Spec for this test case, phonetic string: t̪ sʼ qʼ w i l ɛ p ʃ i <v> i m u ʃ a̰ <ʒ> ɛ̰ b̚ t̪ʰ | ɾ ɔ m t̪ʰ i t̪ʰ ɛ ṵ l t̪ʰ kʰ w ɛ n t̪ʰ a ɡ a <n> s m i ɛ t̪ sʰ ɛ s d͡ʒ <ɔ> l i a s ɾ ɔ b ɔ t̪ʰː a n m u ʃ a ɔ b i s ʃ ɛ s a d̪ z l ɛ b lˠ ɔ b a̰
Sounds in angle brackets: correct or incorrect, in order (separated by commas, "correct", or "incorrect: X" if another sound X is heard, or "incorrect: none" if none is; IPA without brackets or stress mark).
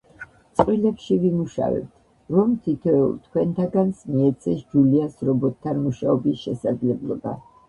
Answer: correct, incorrect: v, correct, incorrect: u